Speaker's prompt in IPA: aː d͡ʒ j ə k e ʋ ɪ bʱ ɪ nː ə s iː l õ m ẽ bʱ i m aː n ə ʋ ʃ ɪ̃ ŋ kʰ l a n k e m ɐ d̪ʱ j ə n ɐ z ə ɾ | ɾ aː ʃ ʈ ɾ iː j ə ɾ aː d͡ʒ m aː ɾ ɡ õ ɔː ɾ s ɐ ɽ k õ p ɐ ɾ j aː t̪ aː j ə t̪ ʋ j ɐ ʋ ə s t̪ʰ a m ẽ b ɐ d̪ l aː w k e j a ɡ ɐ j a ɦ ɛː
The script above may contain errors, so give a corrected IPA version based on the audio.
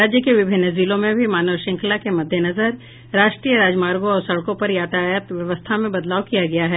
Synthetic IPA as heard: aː d͡ʒ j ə k e ʋ ɪ bʱ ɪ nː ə z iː l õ m ẽ bʱ i m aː n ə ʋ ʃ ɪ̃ ŋ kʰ l a k e m ɐ d̪ʱ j ə n ɐ z ə ɾ | ɾ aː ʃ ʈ ɾ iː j ə ɾ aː d͡ʒ m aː ɾ ɡ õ ɔː ɾ s ɐ ɽ k õ p ɐ ɾ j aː t̪ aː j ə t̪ ʋ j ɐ ʋ ə s t̪ʰ a m ẽ b ɐ d̪ l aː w k i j a ɡ ɐ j a ɦ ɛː